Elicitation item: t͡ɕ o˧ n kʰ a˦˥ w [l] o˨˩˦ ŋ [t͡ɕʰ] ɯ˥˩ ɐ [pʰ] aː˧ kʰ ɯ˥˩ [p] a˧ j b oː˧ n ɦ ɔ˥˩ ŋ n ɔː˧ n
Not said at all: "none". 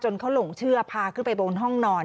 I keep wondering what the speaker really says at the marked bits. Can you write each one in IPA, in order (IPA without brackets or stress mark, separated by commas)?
l, t͡ɕʰ, pʰ, p